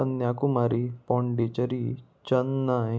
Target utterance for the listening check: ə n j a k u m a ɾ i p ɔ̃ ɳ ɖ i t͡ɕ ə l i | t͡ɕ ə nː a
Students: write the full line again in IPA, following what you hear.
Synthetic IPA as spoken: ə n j a k u m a ɾ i p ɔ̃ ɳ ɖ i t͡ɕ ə ɾ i | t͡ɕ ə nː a